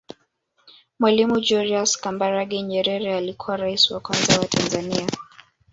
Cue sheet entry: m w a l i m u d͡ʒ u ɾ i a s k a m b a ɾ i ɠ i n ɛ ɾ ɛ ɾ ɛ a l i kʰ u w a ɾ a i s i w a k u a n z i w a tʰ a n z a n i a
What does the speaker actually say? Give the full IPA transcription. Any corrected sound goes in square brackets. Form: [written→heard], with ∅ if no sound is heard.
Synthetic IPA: m w a l i m u d͡ʒ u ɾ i a s k a m b a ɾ [i→a] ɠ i [n→ɲ] ɛ ɾ ɛ ɾ ɛ a l i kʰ u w a ɾ a i s i w a k [u→w] a n z [i→a] w a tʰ a n z a n i a